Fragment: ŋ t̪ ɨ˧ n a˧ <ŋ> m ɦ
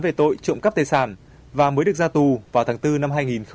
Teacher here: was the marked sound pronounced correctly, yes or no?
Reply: no